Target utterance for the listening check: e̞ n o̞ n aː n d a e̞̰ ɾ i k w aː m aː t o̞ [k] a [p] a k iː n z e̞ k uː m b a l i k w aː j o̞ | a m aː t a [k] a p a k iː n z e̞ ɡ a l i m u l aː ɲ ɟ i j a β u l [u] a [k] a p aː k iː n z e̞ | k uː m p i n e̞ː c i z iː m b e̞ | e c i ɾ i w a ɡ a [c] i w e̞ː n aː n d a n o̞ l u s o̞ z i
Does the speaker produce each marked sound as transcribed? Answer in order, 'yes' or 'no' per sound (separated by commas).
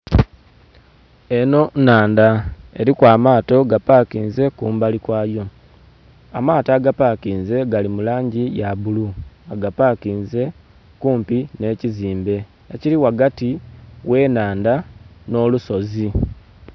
no, yes, no, yes, no, no